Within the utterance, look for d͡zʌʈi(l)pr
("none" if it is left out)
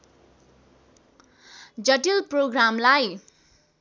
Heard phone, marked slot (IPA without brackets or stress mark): l